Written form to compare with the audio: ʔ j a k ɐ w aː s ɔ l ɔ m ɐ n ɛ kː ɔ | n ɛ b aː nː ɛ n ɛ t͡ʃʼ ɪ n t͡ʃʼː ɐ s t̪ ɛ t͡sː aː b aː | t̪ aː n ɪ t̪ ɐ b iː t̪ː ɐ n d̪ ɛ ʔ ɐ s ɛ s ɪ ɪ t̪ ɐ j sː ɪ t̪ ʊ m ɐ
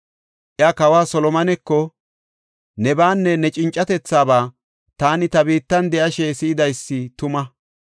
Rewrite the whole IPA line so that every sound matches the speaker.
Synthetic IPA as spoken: ʔ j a k ɐ w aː s ɔ l ɔ m ɐ n ɛ kː ɔ | n ɛ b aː nː ɛ n ɛ t͡ʃʼ ɪ n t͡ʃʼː ɐ t̪ ɛ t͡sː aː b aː | t̪ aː n ɪ t̪ ɐ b iː t̪ː ɐ n d̪ ɛ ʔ ɐ ʃ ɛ s ɪ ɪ d̪ ɐ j sː ɪ t̪ ʊ m ɐ